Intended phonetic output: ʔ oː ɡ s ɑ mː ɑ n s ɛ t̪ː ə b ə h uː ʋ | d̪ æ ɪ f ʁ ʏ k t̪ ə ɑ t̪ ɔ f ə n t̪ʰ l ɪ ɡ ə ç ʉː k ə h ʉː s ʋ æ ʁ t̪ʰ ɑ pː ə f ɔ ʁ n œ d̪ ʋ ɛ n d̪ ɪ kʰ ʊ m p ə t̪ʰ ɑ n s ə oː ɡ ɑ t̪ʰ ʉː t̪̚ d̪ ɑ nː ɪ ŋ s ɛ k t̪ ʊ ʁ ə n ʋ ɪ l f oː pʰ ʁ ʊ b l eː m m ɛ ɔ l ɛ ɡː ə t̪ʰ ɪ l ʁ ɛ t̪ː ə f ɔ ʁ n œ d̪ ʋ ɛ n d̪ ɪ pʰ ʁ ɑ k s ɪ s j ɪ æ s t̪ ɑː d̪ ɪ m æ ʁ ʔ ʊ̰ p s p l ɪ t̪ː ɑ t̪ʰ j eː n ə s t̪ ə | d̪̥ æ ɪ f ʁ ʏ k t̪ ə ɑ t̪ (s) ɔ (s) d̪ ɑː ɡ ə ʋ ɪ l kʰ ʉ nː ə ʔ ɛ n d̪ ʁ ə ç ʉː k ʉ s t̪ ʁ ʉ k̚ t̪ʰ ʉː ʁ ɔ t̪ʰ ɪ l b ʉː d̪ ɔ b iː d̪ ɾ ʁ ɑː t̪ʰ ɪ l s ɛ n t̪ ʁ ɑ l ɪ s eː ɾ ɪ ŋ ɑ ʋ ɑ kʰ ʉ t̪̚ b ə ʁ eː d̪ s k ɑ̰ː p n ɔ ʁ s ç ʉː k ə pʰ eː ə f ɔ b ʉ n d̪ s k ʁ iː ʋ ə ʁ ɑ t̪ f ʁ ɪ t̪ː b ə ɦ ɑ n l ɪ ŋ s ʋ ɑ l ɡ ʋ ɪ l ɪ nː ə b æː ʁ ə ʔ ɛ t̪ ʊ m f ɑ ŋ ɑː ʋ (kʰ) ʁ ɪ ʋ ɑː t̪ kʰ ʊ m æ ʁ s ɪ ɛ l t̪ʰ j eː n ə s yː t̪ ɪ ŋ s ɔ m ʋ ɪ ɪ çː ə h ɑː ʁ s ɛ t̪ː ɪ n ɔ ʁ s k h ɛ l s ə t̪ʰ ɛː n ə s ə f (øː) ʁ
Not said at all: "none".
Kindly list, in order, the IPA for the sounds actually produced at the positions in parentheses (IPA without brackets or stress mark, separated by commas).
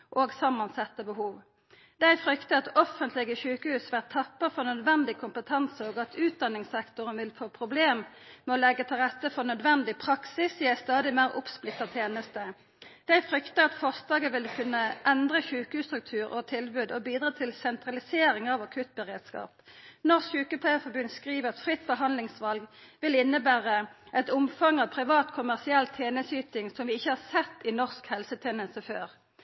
f, s, pʰ, øː